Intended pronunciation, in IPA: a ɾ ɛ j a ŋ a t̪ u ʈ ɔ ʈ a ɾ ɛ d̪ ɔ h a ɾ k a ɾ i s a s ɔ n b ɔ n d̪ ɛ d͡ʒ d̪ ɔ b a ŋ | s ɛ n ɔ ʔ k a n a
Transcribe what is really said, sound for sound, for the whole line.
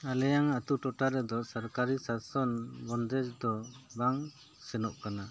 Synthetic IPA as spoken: a l ɛ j a ŋ a t̪ u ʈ ɔ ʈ a ɾ ɛ d̪ ɔ s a ɾ k a ɾ i s a s ɔ n b ɔ n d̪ ɛ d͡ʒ d̪ ɔ b a ŋ | s ɛ n ɔ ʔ k a n a

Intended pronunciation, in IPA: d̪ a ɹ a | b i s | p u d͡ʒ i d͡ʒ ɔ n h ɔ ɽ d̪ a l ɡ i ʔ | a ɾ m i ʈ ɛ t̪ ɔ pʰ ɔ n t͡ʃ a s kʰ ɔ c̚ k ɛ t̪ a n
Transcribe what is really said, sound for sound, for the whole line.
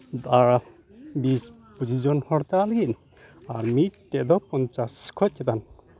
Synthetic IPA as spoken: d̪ a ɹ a | b i s | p u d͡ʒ i d͡ʒ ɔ n h ɔ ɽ t̪ a l ɡ i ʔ | a ɾ m i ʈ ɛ d̪ ɔ p ɔ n t͡ʃ a s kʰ ɔ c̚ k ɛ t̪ a n

